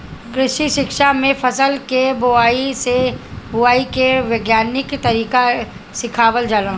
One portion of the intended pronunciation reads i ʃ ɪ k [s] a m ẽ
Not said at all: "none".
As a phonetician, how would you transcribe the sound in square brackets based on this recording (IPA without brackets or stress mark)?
ʃ